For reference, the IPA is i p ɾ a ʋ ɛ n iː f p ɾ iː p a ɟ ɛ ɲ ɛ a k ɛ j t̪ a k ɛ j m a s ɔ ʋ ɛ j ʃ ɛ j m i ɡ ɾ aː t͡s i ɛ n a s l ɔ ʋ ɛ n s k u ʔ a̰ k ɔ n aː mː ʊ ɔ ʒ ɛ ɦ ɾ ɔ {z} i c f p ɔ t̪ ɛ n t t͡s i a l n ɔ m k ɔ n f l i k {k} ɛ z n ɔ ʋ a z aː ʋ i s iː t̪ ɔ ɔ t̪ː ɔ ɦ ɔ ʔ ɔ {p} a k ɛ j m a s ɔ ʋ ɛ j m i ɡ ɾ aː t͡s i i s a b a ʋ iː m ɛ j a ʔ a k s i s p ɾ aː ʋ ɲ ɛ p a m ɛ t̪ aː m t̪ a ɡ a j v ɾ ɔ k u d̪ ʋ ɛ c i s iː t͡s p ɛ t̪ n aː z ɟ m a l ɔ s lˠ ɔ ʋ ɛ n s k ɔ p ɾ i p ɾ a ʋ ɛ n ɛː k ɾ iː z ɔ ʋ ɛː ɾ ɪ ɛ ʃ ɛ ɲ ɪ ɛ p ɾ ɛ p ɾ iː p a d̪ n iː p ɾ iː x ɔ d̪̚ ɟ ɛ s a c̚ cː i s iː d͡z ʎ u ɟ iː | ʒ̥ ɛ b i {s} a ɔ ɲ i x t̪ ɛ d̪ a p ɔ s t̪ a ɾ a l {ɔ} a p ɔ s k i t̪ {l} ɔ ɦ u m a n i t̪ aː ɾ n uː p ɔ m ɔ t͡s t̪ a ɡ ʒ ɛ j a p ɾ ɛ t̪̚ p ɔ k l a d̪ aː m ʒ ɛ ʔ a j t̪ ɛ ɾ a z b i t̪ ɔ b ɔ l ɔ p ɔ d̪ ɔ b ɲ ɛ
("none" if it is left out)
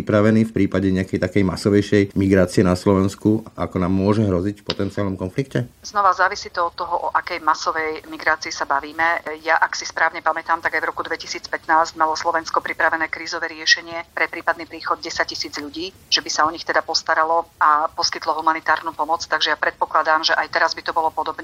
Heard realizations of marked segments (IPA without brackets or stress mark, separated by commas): z, c, ʔ, s, ɔ, l